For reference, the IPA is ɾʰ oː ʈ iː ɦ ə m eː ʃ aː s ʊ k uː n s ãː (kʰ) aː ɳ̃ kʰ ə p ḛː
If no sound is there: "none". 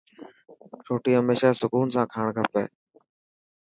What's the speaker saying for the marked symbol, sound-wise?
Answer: kʰ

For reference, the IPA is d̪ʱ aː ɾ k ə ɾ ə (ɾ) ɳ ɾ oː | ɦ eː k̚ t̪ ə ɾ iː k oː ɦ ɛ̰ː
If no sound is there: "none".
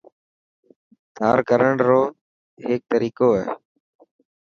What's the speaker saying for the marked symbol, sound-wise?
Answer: none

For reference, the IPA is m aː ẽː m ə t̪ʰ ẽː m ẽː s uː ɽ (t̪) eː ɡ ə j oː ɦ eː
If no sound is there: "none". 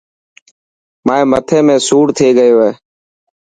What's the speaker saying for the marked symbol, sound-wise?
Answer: t̪ʰ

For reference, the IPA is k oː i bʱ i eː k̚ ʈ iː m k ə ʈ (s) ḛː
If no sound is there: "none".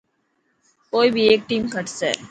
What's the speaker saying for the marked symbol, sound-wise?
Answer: s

